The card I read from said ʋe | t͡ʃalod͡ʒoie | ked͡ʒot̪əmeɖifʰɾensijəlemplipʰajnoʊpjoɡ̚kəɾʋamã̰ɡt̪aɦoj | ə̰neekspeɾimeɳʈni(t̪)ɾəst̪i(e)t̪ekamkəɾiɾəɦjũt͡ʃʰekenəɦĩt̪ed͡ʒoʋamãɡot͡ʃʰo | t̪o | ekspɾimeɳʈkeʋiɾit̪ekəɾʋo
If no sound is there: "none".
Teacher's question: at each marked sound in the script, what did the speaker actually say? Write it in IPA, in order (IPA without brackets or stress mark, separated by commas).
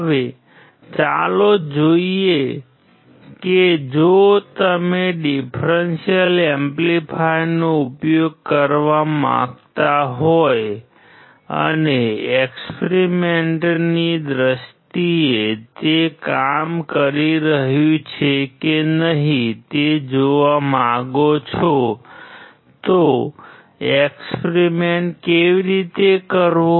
d̪, e